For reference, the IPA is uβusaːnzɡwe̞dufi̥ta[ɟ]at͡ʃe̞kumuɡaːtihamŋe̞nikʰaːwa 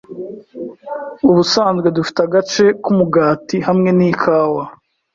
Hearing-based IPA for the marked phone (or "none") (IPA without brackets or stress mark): ɡ